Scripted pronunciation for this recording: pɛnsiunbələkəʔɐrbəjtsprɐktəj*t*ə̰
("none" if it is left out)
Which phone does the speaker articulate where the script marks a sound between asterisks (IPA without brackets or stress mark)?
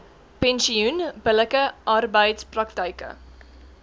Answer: k